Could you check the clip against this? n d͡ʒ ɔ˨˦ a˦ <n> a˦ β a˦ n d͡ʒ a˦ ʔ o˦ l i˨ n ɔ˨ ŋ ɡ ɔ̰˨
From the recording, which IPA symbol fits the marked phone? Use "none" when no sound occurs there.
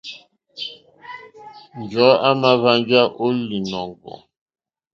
m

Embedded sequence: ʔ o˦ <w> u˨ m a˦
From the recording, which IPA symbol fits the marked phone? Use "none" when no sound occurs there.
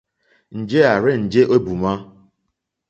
b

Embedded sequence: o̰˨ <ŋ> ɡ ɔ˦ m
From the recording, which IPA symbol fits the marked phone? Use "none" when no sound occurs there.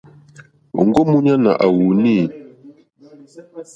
ŋ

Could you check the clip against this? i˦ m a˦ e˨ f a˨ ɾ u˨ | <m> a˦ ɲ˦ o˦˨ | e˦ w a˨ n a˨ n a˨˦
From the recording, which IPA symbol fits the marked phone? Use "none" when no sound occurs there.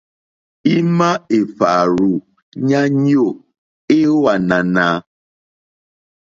ɲ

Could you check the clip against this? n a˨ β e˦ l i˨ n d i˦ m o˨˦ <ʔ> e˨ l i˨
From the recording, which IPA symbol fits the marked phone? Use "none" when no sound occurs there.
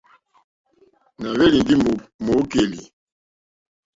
k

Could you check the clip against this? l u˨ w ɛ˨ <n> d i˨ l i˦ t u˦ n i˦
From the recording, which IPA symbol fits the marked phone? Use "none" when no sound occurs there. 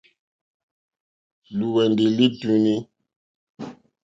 n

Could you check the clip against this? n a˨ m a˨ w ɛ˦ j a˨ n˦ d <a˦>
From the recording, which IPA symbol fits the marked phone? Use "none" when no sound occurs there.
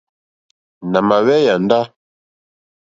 a˦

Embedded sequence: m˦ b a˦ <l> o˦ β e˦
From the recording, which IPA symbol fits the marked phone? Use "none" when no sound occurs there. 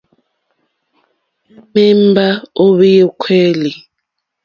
none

